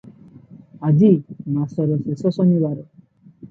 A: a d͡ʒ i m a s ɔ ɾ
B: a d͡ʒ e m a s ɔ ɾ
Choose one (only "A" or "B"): A